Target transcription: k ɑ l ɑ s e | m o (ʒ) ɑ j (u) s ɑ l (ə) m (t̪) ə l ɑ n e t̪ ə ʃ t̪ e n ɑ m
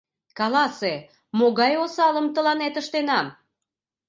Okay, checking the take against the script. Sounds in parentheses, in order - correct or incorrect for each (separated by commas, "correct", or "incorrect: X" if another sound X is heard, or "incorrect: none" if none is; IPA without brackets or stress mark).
incorrect: ɣ, incorrect: o, correct, correct